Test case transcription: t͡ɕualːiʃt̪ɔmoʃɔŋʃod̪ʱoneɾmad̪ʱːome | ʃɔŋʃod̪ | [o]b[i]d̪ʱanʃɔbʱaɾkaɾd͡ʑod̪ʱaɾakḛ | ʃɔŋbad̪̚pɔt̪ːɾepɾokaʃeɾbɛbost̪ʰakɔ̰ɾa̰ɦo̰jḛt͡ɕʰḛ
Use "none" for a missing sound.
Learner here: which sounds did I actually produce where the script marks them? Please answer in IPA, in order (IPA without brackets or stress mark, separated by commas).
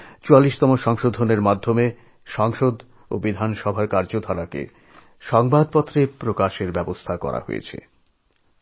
o, i